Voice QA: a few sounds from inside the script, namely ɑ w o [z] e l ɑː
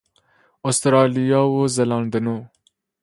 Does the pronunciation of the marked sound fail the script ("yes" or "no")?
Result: no